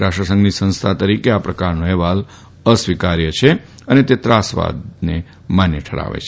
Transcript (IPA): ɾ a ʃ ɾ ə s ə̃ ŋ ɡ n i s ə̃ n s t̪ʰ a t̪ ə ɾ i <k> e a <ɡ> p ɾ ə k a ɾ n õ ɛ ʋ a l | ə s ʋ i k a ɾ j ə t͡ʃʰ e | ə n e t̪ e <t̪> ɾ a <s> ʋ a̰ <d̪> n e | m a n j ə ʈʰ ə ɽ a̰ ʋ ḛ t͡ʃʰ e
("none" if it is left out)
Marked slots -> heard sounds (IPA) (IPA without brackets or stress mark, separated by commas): k, none, t̪, s, d̪